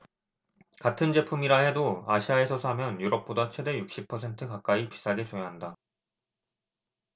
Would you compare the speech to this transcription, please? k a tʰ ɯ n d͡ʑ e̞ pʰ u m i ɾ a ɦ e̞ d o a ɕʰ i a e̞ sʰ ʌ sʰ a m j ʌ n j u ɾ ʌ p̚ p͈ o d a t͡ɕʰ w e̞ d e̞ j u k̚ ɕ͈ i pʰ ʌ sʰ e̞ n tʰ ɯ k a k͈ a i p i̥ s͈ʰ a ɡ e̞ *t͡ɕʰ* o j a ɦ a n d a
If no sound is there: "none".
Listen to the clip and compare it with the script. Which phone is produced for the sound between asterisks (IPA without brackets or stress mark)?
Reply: t͡ɕ